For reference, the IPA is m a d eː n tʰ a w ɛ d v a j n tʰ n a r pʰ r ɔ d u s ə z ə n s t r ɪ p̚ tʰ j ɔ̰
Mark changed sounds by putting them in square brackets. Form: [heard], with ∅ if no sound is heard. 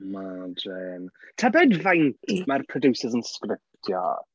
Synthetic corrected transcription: m a d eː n tʰ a [b] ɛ d v a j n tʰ [m] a r pʰ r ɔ d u s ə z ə n s [k] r ɪ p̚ tʰ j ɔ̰

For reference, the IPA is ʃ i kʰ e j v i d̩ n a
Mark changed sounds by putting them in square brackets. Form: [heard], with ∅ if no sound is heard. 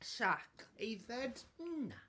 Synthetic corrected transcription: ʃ [a] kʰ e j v [ɛ] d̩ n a

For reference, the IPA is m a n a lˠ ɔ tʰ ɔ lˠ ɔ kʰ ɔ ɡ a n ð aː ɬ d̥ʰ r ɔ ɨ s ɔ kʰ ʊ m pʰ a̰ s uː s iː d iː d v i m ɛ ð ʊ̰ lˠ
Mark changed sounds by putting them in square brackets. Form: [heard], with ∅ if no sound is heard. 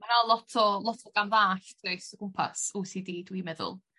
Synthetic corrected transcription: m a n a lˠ ɔ tʰ ɔ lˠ ɔ [tʰ] ɔ ɡ a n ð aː ɬ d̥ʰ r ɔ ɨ s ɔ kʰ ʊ m pʰ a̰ s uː s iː d iː d [w] i m ɛ ð ʊ̰ lˠ

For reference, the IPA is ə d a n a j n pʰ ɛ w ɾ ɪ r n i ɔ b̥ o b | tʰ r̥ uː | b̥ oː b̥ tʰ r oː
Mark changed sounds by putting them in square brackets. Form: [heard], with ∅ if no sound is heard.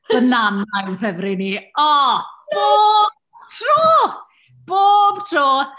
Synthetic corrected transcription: ə [n] a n a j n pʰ ɛ [v] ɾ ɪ [∅] n i ɔ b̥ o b | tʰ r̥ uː | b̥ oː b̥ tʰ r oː

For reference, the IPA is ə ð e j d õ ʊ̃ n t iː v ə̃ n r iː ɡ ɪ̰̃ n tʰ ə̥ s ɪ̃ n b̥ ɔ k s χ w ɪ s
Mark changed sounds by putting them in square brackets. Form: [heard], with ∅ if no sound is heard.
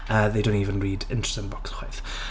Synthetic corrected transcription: ə ð e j d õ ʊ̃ n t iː v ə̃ n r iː [d] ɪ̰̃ n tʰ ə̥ s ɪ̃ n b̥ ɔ k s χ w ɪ [θ]

